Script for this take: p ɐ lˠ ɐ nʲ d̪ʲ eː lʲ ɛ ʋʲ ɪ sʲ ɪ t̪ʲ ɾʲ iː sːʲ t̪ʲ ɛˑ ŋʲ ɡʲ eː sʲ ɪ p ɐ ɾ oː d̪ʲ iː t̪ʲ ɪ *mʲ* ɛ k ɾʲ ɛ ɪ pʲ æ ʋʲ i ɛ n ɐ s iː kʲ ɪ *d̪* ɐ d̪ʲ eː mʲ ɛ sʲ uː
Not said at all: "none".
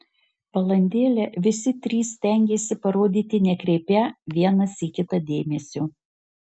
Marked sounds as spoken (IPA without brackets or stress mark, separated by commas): nʲ, t̪